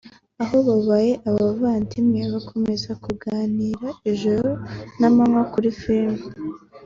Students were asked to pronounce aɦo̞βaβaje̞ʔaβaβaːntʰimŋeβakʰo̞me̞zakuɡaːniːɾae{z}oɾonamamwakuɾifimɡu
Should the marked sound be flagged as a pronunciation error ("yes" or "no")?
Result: yes